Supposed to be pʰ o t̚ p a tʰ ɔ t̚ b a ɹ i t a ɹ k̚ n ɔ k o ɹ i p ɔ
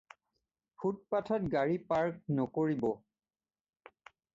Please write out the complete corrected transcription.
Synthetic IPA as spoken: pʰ u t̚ p a tʰ ɔ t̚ ɡ a ɹ i p a ɹ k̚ n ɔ k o ɹ i b ɔ